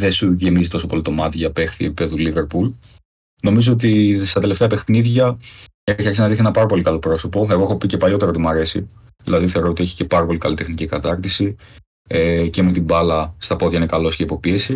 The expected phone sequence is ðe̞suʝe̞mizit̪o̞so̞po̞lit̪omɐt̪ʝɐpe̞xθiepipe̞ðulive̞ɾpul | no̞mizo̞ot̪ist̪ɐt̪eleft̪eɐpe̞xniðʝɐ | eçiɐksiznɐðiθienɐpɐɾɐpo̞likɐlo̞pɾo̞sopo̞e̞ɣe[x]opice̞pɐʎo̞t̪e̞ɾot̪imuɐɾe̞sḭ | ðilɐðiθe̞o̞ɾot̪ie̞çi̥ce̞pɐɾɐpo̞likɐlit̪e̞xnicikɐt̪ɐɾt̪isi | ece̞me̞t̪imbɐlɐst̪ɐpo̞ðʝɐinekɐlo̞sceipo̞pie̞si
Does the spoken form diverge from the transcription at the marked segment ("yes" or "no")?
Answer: no